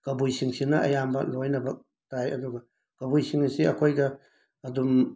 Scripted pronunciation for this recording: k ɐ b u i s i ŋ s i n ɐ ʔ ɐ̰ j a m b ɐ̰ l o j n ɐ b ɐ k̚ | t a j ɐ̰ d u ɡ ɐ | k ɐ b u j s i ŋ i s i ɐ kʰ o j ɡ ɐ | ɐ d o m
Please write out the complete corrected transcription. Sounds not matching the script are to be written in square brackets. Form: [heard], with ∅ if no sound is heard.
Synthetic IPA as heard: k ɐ b u [j] s i ŋ s i n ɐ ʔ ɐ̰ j a m b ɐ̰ l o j n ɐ b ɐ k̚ | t a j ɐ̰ d u ɡ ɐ | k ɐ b u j s i ŋ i s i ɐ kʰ o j ɡ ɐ | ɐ d [u] m